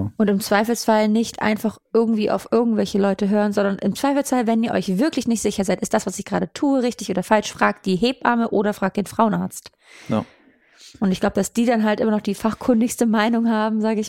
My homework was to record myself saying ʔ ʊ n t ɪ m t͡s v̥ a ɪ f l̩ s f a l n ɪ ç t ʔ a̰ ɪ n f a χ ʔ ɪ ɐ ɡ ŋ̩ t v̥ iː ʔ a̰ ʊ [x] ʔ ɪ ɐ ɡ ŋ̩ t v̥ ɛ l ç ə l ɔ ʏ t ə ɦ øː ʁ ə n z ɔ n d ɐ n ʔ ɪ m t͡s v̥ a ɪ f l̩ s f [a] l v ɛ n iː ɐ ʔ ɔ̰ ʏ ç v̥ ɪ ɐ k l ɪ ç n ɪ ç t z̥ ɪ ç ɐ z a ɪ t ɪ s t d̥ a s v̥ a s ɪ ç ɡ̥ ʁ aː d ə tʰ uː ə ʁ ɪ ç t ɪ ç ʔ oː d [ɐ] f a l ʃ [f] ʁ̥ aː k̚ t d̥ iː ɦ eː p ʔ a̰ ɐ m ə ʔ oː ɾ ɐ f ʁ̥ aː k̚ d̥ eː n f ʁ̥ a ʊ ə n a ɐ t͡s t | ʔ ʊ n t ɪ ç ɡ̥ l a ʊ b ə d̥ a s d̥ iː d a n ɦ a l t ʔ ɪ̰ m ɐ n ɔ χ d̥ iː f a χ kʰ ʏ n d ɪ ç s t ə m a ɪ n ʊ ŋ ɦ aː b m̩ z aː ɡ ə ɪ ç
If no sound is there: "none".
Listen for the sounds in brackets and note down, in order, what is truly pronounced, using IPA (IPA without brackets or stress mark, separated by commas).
f, a, ɐ, f